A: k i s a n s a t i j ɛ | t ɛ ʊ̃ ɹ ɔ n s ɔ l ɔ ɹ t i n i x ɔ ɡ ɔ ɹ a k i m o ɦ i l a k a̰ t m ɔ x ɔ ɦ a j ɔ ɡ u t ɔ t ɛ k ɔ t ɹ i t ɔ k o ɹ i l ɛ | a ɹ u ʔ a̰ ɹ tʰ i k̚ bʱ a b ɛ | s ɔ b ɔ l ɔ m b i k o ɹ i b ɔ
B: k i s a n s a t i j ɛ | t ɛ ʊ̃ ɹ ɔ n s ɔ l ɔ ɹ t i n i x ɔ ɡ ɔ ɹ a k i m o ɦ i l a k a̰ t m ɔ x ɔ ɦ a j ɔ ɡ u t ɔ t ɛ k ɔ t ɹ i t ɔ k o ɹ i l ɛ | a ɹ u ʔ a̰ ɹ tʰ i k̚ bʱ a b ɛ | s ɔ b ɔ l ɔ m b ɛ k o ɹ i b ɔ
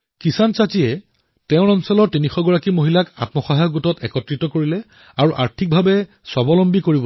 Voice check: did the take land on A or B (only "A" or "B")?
A